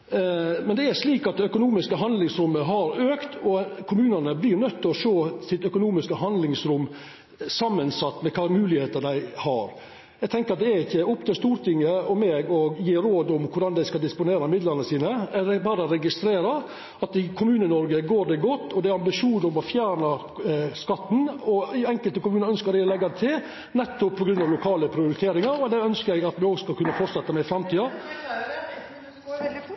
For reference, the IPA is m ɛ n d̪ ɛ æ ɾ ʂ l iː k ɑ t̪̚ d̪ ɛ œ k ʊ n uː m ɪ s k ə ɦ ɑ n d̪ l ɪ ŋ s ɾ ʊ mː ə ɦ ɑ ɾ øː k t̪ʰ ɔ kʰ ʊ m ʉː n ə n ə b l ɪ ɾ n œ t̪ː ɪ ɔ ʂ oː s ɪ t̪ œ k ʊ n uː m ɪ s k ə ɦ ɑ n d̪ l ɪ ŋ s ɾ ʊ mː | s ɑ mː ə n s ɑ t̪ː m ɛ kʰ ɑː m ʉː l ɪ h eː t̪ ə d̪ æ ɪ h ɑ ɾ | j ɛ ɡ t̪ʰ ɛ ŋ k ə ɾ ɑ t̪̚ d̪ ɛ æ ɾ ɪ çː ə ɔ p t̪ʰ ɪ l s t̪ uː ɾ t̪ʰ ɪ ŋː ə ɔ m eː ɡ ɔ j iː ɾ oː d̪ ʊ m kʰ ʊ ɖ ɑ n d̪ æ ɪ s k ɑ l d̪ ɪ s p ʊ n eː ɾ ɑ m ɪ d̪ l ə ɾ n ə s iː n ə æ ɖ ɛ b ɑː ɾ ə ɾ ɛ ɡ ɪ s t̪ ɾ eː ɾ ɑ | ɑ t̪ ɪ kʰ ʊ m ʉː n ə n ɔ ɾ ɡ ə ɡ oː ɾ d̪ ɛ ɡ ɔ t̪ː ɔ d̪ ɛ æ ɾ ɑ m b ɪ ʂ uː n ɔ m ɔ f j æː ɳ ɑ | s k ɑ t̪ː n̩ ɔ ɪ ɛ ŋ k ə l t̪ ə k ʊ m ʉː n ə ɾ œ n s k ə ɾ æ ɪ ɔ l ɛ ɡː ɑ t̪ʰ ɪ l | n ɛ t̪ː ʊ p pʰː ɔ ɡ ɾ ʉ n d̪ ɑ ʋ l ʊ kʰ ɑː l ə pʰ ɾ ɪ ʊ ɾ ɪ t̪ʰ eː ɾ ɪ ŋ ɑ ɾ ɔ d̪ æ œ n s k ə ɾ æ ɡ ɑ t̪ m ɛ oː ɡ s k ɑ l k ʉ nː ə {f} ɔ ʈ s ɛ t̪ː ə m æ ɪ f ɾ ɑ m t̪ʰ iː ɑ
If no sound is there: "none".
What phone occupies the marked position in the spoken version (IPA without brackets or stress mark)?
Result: f